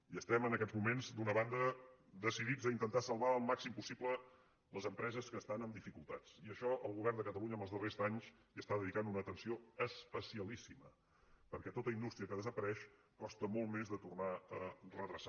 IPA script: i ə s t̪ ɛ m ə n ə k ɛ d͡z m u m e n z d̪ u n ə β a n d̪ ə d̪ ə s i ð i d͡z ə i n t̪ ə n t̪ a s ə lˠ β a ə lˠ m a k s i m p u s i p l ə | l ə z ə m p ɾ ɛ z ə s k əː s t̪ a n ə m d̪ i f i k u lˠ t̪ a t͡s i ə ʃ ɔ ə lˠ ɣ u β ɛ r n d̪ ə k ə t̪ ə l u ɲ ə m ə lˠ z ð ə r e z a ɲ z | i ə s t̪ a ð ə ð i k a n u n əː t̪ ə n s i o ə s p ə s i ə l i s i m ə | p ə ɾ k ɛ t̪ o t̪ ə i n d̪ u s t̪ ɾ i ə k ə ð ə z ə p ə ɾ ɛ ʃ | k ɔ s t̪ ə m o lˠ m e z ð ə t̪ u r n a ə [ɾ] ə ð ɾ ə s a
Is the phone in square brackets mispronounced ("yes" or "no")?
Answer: yes